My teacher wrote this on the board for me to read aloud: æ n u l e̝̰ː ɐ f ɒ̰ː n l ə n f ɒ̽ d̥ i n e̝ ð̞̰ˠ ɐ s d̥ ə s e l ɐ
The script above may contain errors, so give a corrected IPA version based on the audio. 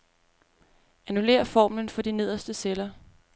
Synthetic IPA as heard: æ n u l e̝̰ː ɐ f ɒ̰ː m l ə n f ɒ̽ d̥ i n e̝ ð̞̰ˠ ɐ s d̥ ə s e l ɐ